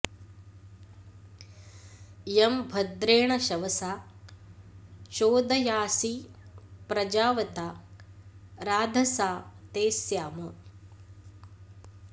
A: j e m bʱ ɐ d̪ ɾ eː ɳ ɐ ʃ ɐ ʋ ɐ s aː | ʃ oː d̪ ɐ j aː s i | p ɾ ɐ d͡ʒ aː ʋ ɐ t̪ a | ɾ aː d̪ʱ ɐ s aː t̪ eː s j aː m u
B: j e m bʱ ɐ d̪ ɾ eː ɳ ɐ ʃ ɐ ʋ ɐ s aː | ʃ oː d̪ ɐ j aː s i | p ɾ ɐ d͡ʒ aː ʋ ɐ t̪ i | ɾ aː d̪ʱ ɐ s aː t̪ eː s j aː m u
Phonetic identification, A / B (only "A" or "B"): A